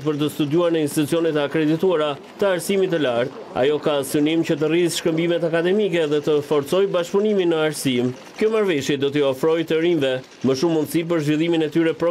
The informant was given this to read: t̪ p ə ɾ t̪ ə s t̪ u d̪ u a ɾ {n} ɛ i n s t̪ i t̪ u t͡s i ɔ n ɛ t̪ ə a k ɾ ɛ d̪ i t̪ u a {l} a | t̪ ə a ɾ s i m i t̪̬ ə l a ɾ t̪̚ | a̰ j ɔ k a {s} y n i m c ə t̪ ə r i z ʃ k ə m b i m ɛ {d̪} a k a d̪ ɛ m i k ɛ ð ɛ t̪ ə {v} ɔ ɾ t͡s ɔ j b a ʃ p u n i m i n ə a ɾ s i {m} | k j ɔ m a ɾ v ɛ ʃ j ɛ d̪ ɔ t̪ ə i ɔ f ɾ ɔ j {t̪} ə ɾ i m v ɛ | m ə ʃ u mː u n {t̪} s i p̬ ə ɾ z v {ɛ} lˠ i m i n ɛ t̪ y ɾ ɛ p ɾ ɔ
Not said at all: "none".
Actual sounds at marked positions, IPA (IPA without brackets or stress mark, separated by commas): n, ɾ, s, t̪, f, m, t̪, d̪, i